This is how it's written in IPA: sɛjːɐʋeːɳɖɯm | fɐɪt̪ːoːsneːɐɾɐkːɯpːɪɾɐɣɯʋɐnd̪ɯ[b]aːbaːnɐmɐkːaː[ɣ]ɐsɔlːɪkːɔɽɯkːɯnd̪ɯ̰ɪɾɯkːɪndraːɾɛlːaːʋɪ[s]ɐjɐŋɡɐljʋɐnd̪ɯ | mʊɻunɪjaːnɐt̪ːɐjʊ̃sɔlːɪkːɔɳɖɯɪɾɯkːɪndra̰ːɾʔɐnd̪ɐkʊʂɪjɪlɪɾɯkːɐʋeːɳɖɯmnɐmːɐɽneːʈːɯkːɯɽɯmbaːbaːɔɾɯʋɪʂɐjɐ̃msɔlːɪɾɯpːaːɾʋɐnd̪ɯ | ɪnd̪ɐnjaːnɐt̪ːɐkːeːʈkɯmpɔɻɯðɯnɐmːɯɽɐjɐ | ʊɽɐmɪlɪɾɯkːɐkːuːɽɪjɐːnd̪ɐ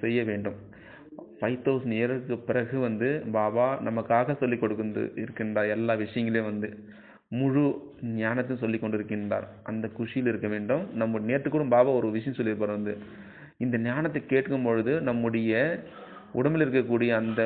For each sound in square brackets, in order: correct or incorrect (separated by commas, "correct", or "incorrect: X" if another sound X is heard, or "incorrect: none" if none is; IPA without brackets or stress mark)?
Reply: correct, correct, incorrect: ʂ